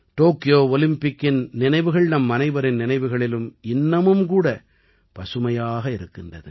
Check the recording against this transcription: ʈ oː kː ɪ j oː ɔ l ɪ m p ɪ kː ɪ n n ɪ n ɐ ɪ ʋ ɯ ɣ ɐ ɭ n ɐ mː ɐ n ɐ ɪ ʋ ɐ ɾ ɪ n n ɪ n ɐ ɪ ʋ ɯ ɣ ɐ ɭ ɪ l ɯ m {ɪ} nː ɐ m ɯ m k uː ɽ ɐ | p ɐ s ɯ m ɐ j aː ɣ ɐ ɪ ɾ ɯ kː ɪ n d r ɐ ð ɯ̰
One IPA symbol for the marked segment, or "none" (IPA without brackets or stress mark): ɪ